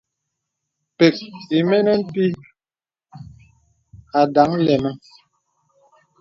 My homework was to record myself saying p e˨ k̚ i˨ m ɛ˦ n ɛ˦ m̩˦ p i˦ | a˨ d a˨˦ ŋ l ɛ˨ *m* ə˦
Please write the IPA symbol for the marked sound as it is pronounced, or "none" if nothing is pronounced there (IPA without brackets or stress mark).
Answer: m